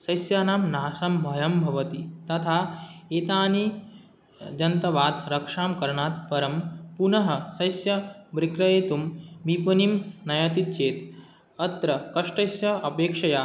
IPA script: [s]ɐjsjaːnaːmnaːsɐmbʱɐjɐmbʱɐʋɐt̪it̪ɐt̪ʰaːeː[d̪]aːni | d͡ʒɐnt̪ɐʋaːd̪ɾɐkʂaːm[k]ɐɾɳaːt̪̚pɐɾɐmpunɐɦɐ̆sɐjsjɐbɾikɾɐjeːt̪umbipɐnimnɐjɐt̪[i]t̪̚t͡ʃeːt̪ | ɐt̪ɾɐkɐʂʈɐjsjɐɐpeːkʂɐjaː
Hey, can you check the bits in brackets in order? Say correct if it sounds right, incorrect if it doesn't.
correct, incorrect, correct, correct

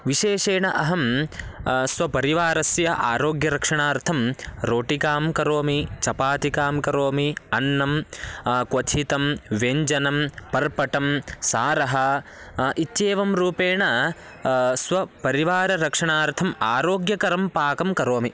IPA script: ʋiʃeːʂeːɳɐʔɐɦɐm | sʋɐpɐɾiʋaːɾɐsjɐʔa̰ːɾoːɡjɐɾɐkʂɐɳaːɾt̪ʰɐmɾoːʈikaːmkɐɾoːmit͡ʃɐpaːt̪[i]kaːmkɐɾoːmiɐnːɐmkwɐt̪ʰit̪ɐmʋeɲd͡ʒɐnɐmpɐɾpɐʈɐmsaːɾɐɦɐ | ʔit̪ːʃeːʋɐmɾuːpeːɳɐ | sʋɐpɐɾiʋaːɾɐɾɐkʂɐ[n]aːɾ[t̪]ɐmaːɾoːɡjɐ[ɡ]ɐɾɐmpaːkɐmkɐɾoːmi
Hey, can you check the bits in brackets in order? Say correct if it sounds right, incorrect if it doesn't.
correct, incorrect, incorrect, incorrect

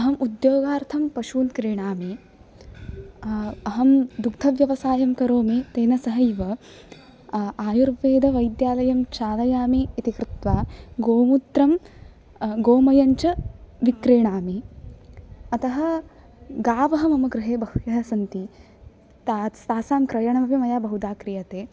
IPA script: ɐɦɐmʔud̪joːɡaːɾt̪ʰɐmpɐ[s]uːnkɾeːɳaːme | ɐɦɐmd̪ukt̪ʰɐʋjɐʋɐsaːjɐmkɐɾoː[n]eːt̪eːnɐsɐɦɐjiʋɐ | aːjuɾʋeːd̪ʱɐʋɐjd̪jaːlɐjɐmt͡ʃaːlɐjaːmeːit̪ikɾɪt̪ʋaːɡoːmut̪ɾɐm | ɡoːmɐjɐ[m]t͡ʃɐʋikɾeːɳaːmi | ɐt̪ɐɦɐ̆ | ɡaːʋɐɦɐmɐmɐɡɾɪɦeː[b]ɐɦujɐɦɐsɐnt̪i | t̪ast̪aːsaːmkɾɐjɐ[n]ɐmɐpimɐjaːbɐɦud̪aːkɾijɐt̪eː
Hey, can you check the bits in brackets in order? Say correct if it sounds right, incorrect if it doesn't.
incorrect, incorrect, incorrect, correct, incorrect

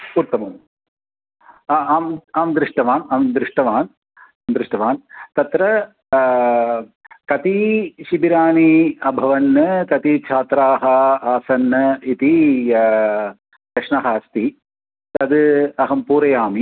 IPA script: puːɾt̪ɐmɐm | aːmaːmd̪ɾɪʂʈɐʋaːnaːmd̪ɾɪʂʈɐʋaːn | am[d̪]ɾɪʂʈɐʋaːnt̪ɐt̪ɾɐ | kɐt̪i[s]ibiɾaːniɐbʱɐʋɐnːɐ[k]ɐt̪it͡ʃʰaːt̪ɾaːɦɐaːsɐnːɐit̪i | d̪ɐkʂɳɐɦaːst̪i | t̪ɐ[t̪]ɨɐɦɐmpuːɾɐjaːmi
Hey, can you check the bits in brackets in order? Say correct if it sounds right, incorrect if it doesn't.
correct, incorrect, correct, incorrect

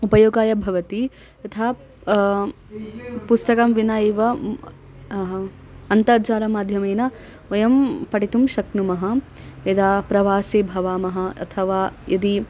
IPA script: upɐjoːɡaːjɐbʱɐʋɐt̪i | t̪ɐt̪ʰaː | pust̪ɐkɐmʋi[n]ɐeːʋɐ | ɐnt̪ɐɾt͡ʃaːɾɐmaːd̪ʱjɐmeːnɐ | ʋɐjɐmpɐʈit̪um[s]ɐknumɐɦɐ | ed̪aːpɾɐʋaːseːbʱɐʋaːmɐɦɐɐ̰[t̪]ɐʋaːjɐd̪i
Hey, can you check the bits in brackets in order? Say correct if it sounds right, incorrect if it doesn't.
correct, incorrect, incorrect

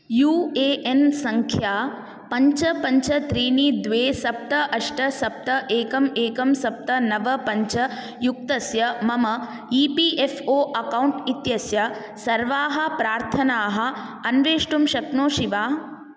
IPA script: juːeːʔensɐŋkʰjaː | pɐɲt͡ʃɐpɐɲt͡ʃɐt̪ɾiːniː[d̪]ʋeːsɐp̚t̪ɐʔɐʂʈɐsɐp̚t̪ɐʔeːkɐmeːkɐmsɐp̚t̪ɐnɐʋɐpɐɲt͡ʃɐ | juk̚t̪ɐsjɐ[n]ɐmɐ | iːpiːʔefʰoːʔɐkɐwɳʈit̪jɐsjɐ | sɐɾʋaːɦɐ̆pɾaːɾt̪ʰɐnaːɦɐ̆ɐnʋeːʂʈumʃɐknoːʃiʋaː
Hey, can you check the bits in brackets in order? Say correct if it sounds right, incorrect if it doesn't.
correct, incorrect

